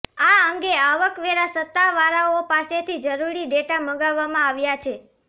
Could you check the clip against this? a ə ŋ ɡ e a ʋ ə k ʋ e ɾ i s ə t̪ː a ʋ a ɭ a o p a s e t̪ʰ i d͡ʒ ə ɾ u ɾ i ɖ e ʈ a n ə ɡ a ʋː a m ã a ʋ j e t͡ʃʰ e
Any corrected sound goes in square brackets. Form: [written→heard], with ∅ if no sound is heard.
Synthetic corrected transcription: a ə ŋ ɡ e a ʋ ə k ʋ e ɾ [i→a] s ə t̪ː a ʋ a [ɭ→ɾ] a o p a s e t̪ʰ i d͡ʒ ə ɾ u ɾ i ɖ e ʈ a [n→m] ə ɡ a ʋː a m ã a ʋ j [e→a] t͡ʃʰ e